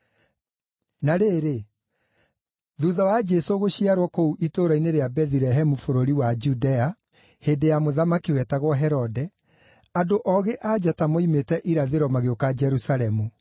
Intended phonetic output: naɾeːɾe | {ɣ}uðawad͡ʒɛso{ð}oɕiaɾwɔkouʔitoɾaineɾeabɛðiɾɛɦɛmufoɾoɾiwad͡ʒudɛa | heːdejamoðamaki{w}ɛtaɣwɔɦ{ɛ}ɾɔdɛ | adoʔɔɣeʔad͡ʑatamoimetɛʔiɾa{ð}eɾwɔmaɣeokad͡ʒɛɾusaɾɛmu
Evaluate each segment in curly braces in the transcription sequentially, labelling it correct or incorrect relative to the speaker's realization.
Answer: incorrect: ð, incorrect: ɣ, correct, correct, correct

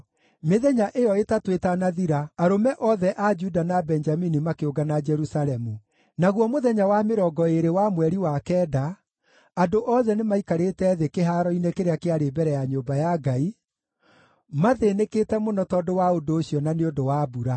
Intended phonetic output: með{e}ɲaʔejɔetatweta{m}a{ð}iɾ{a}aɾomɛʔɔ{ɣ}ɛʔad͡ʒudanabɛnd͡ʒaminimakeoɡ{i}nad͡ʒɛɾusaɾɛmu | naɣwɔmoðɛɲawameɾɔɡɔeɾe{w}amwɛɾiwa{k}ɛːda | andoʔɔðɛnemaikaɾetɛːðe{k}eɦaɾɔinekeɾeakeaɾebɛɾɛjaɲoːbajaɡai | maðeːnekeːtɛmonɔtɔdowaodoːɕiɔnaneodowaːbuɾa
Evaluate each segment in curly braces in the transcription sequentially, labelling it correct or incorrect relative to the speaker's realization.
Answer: incorrect: ɛ, incorrect: n, correct, correct, incorrect: ð, incorrect: a, correct, correct, correct

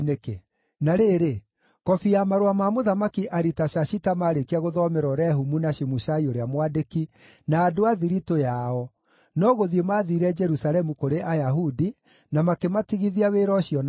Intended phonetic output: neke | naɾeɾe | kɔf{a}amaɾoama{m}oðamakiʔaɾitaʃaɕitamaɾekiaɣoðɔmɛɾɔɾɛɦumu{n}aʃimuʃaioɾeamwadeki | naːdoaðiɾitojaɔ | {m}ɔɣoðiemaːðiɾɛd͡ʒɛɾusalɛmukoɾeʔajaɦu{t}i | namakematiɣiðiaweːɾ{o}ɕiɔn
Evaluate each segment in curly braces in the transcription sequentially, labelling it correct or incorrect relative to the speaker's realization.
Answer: incorrect: i, correct, correct, incorrect: n, incorrect: d, incorrect: ɔ

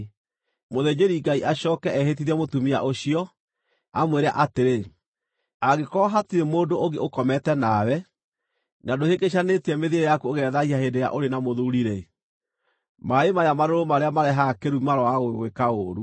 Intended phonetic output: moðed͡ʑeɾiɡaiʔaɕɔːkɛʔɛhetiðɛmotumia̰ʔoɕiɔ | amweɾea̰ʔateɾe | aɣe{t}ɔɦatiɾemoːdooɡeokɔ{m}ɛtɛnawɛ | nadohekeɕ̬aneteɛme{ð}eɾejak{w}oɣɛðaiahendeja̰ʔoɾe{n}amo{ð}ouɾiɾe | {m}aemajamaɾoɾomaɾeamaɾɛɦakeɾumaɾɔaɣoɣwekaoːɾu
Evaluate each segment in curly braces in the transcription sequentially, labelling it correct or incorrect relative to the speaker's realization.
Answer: incorrect: k, correct, correct, incorrect: u, correct, correct, correct

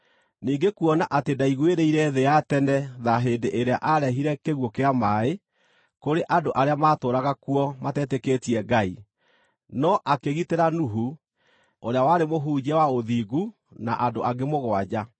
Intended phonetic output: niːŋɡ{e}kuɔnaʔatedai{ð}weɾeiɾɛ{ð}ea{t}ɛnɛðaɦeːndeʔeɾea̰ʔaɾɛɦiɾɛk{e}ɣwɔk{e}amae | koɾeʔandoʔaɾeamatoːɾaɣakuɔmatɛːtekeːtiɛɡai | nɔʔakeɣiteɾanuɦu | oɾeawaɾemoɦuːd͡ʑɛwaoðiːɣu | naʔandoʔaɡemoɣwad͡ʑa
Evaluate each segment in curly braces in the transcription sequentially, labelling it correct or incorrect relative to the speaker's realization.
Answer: correct, incorrect: ɣ, correct, correct, correct, correct

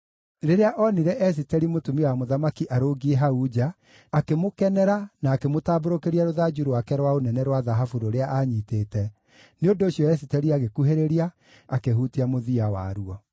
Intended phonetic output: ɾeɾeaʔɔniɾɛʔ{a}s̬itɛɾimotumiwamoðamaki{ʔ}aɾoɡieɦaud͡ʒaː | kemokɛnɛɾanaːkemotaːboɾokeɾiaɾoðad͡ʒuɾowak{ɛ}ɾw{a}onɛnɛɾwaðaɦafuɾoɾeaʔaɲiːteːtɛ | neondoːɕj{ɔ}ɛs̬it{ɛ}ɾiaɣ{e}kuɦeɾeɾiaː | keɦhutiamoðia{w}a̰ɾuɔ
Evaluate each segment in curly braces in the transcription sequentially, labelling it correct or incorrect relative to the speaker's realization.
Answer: incorrect: ɛ, correct, correct, correct, correct, correct, correct, correct

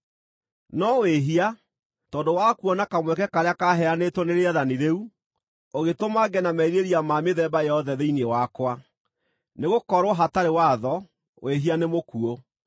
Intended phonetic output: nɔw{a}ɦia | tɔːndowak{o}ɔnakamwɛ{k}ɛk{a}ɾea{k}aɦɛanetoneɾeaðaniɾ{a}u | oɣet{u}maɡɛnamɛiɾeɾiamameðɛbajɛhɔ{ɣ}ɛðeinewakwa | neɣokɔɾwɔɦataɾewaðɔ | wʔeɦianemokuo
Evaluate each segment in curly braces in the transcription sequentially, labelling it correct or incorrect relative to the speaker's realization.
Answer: incorrect: e, incorrect: u, correct, correct, correct, incorrect: e, incorrect: o, incorrect: ð

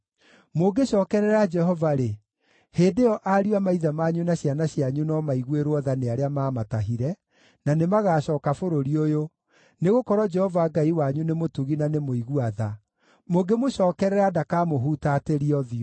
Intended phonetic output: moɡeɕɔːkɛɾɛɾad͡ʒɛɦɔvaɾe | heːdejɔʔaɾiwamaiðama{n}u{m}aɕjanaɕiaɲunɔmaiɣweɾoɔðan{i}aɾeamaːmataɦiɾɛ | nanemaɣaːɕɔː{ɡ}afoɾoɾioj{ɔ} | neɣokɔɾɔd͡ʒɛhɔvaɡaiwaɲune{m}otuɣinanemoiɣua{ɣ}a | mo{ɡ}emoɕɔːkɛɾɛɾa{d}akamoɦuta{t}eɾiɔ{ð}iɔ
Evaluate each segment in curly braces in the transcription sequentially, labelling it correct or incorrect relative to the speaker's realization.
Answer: incorrect: ɲ, incorrect: n, incorrect: e, incorrect: k, incorrect: o, correct, incorrect: ð, correct, correct, correct, correct

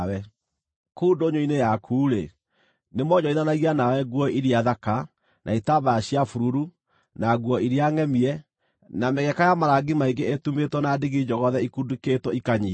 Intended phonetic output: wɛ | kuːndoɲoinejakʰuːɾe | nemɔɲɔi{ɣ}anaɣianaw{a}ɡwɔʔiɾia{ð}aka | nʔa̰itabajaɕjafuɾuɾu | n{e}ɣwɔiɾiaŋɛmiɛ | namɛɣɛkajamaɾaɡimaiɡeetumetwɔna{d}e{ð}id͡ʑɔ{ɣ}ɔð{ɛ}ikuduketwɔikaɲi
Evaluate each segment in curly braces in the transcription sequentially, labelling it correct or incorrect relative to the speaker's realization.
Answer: incorrect: ð, incorrect: ɛ, correct, incorrect: a, correct, incorrect: ɣ, correct, correct

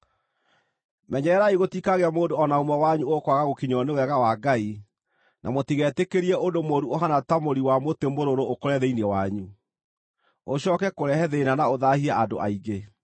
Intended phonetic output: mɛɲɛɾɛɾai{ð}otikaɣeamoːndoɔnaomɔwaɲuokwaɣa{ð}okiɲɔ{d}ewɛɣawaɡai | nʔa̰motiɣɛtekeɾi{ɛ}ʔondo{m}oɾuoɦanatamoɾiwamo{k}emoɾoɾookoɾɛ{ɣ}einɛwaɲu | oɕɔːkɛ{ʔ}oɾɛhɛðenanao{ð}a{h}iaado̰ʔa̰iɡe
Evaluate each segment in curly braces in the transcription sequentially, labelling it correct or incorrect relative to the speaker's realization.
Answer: incorrect: ɣ, incorrect: ɣ, incorrect: n, correct, correct, incorrect: t, incorrect: ð, incorrect: k, correct, correct

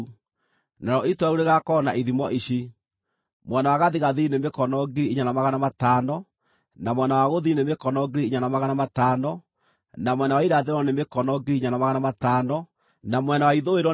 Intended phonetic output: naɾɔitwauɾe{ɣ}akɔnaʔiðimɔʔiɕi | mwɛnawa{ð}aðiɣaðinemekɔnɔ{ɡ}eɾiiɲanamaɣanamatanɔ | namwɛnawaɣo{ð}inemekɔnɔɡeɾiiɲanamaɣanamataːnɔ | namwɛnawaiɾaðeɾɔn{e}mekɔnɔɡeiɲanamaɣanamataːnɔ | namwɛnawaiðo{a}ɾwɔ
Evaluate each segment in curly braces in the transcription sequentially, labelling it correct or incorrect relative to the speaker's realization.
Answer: correct, incorrect: ɣ, correct, correct, correct, incorrect: e

